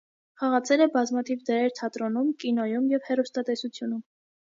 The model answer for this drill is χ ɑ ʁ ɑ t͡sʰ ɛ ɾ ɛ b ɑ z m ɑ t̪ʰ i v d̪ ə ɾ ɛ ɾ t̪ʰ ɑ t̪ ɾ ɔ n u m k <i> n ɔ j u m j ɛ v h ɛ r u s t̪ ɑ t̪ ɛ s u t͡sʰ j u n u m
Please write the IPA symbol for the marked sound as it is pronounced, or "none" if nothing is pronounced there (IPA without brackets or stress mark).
i